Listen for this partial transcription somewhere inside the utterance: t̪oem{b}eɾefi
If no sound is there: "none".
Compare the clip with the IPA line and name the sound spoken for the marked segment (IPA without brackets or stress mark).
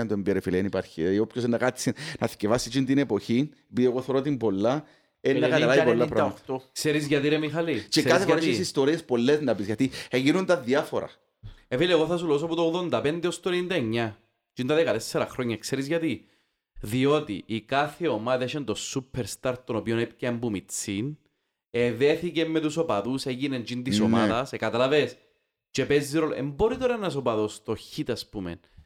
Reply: b